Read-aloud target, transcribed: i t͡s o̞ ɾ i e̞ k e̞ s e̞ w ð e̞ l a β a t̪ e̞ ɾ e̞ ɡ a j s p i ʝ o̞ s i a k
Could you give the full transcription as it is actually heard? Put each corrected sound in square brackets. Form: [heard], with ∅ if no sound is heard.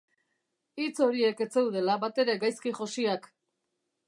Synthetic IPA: i t͡s o̞ ɾ i e̞ k e̞ [t͡s] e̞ w ð e̞ l a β a t̪ e̞ ɾ e̞ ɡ a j s [k] i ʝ o̞ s i a k